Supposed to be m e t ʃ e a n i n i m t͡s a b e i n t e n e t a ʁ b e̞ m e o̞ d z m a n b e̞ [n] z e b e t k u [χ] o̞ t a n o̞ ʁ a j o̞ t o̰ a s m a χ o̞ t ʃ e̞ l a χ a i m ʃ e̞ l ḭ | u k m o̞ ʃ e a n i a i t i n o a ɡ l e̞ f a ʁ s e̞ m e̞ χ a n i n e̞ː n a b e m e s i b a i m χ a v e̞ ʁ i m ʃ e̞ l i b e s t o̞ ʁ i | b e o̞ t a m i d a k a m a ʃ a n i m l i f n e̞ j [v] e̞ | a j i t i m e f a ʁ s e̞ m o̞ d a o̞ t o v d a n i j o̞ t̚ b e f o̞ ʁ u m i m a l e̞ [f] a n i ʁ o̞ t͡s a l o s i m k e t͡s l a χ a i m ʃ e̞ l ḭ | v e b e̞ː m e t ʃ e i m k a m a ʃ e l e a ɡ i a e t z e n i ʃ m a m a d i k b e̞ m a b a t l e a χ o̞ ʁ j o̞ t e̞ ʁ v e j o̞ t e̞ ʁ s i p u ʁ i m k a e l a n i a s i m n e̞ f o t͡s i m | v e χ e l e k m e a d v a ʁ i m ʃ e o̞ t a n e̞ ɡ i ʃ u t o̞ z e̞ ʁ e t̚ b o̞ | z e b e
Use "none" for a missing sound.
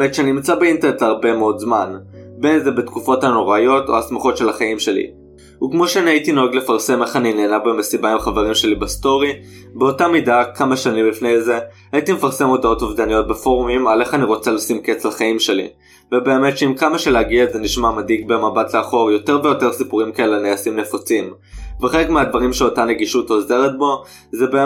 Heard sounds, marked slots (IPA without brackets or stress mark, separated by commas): n, f, z, χ